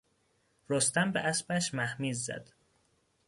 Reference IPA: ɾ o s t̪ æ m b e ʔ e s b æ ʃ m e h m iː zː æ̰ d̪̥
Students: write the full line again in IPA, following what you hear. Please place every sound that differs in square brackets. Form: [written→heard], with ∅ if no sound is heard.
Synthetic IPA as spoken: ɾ o s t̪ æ m b e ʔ [e→æ] s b æ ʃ m [e→æ] h m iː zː æ̰ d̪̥